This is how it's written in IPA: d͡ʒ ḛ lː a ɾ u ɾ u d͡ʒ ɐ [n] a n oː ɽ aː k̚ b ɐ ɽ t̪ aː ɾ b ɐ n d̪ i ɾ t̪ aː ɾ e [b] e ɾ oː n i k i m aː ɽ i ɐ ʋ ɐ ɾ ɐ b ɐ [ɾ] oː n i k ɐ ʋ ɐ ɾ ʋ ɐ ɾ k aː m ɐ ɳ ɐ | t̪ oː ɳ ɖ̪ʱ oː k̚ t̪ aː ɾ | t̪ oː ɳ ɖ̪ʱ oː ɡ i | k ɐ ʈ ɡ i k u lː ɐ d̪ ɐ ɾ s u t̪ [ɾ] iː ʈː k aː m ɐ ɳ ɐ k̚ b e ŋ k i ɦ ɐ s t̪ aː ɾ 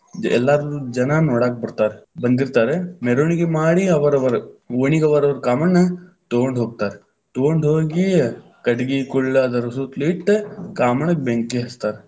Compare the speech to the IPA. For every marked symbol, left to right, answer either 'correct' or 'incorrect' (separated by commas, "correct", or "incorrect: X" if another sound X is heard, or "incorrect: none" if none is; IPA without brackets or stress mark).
correct, incorrect: m, correct, incorrect: l